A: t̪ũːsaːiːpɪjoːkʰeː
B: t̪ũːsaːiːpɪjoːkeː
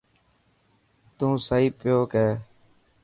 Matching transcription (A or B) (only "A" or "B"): B